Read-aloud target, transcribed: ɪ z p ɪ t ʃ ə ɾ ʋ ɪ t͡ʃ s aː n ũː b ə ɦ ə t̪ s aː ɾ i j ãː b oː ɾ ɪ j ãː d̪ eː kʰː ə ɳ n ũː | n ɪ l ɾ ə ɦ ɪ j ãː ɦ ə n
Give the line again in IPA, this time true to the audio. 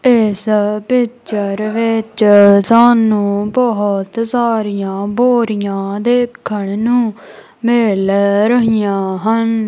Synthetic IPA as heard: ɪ s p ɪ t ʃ ə ɾ ʋ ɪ t͡ʃ s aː n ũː b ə ɦ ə t̪ s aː ɾ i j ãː b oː ɾ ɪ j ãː d̪ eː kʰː ə ɳ n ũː | m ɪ l ɾ ə ɦ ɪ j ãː ɦ ə n

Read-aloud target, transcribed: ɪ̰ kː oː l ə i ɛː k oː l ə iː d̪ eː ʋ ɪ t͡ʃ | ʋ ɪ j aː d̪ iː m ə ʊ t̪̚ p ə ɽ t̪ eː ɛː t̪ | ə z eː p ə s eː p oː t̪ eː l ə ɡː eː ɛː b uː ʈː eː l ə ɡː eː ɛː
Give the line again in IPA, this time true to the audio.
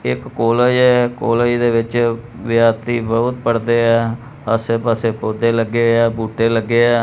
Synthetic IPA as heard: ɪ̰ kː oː l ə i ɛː k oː l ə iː d̪ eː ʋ ɪ t͡ʃ | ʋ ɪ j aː t̪ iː b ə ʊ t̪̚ p ə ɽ d̪ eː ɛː | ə s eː p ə s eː p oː d̪ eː l ə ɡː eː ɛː b uː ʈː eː l ə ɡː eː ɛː

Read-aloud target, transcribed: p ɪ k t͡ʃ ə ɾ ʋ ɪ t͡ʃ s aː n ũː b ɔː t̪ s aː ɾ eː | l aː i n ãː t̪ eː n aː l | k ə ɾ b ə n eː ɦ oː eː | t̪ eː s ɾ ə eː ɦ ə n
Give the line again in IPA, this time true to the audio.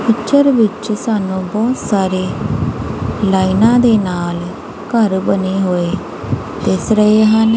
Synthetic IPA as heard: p ɪ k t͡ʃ ə ɾ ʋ ɪ t͡ʃ s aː n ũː b ɔː t̪ s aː ɾ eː | l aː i n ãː d̪ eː n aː l | k ə ɾ b ə n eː ɦ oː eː | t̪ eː s ɾ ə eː ɦ ə n

